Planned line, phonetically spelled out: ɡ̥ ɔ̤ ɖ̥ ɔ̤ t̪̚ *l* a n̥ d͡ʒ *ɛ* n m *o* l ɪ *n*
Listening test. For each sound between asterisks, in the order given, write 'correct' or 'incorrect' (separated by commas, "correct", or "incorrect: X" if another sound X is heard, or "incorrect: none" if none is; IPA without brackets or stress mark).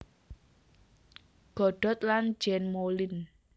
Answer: correct, correct, correct, correct